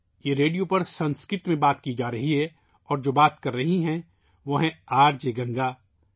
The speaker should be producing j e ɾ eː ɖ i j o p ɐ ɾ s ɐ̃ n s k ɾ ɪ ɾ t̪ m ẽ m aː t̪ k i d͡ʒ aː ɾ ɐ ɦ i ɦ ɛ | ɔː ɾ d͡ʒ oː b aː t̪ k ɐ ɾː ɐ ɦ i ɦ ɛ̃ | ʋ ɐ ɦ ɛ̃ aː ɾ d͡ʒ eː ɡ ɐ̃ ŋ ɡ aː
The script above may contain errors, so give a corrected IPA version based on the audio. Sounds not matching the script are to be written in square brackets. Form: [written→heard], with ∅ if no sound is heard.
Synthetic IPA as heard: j e ɾ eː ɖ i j o p ɐ ɾ s ɐ̃ n s k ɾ ɪ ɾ t̪ m ẽ [m→b] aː t̪ k i d͡ʒ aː ɾ ɐ ɦ i ɦ ɛ | ɔː ɾ d͡ʒ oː b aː t̪ k ɐ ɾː ɐ ɦ i ɦ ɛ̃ | ʋ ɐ ɦ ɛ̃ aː ɾ d͡ʒ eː ɡ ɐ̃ ŋ ɡ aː